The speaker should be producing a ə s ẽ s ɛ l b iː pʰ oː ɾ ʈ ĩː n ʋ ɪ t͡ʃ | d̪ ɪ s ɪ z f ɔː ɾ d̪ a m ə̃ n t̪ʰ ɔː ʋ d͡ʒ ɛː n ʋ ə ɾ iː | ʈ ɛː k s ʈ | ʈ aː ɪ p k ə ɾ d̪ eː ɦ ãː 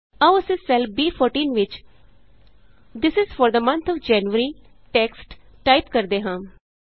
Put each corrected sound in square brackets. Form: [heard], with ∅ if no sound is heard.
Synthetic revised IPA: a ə s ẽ s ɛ l b iː pʰ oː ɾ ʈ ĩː n ʋ ɪ t͡ʃ | d̪ ɪ s ɪ z f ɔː ɾ d̪ [ə] m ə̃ n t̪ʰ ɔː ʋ d͡ʒ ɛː n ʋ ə ɾ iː | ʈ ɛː k s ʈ | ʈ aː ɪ p k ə ɾ d̪ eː ɦ ãː